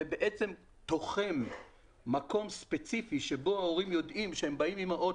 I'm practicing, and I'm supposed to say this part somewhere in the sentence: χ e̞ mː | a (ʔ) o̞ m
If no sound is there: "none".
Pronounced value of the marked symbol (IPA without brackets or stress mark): k